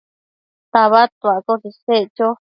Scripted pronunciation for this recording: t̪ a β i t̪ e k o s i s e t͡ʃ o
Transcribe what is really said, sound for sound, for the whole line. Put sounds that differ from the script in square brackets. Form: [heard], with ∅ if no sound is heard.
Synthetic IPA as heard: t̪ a β [a] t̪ [a] k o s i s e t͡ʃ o